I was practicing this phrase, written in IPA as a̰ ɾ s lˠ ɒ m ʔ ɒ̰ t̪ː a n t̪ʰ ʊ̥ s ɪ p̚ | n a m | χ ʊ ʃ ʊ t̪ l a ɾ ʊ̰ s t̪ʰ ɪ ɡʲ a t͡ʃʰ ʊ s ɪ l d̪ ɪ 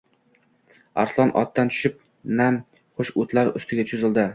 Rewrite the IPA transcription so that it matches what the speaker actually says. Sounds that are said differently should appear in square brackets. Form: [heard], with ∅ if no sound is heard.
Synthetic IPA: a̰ ɾ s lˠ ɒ [n] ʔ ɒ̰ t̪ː a n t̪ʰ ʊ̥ [ʃ] ɪ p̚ | n a m | χ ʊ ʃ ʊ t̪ l a ɾ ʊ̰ s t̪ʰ ɪ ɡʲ a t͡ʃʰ ʊ [z] ɪ l d̪ ɪ